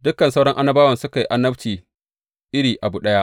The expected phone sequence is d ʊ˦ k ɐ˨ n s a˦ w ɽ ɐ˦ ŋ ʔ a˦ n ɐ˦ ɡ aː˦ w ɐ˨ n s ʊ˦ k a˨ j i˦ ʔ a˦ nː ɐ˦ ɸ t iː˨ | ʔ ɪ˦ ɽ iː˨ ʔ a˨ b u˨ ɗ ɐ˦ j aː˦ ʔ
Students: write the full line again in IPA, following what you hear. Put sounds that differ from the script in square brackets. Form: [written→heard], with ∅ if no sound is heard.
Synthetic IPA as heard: d ʊ˦ k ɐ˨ n s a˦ w ɽ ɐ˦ ŋ ʔ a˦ n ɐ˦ [ɡ→b] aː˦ w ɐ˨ n s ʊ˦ k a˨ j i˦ ʔ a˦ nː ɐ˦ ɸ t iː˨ | ʔ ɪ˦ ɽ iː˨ ʔ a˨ b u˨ ɗ ɐ˦ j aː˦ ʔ